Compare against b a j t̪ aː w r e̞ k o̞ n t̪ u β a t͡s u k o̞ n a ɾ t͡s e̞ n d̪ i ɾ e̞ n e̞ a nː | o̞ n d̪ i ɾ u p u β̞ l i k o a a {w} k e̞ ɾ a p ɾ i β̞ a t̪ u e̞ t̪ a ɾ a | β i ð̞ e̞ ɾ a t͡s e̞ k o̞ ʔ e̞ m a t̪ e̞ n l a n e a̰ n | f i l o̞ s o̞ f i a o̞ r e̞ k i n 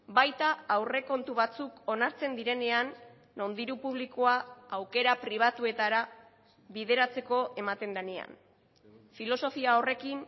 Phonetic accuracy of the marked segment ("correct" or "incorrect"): correct